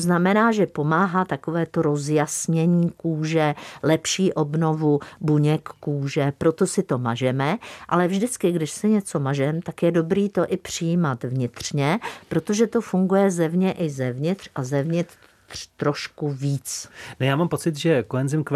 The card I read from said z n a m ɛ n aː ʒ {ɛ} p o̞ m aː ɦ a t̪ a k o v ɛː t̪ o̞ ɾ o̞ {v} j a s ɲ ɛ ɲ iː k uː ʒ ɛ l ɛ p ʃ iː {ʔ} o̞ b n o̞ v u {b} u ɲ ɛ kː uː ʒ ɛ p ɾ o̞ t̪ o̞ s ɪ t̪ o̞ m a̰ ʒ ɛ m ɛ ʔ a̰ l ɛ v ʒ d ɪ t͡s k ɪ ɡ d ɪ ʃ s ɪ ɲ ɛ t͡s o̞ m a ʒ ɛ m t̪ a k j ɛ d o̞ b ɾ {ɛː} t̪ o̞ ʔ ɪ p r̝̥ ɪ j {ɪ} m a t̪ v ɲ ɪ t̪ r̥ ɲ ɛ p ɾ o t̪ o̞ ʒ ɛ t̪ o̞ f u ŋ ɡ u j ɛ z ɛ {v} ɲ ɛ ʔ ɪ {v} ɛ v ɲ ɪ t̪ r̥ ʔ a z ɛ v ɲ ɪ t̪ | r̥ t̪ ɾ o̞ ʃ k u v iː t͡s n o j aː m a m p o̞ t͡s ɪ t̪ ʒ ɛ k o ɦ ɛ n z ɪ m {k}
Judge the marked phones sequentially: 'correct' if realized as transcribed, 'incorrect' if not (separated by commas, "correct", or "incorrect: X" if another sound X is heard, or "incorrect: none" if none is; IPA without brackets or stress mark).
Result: correct, incorrect: z, correct, correct, incorrect: iː, incorrect: i, correct, incorrect: z, correct